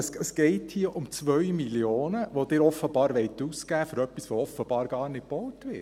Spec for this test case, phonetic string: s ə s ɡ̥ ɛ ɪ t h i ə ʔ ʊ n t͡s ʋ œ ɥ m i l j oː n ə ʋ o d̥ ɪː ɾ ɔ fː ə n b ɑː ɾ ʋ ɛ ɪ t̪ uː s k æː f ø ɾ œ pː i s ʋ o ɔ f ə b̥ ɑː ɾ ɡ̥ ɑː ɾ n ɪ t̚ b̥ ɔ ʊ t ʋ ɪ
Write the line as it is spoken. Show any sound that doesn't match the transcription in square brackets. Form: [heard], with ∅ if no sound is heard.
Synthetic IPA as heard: s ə s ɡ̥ ɛ ɪ t h i ə ʔ ʊ [m] t͡s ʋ œ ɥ m i l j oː n ə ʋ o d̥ ɪː ɾ ɔ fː ə [∅] b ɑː ɾ ʋ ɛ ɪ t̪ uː s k æː f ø ɾ œ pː i s ʋ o ɔ f ə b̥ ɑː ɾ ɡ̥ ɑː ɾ n ɪ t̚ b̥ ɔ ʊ t ʋ ɪ